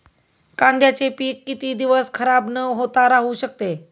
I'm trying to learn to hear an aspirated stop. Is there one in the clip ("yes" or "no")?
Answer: yes